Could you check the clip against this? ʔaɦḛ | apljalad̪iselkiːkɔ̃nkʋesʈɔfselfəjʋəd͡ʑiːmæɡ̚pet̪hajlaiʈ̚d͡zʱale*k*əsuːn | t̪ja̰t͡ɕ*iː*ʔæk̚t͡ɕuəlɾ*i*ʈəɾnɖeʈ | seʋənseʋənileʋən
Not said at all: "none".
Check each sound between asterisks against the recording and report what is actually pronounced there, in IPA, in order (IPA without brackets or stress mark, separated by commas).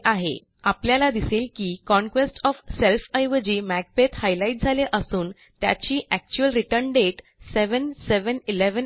ʔ, iː, i